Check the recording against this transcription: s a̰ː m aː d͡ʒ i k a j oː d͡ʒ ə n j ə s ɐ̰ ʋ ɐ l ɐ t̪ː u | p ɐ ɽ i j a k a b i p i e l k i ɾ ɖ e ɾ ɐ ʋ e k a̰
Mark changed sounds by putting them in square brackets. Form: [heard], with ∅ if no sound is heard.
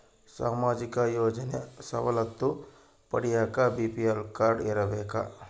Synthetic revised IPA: s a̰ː m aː d͡ʒ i k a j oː d͡ʒ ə n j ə s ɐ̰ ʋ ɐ l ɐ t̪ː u | p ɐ ɽ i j a k a b i p i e l k [a] ɾ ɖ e ɾ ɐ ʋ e k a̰